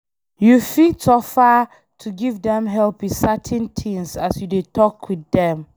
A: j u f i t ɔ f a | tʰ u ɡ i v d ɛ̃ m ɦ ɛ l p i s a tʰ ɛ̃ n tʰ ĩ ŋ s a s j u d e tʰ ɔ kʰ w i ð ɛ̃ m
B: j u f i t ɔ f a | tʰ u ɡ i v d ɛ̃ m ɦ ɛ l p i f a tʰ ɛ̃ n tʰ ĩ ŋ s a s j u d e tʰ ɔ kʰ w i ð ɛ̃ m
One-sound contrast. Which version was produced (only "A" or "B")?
A